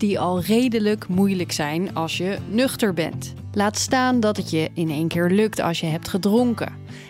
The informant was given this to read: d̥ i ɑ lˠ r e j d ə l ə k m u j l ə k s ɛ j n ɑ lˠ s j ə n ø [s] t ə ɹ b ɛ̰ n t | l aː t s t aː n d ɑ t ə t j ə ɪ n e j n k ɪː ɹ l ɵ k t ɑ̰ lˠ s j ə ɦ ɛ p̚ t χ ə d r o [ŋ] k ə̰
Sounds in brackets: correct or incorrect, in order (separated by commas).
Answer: incorrect, correct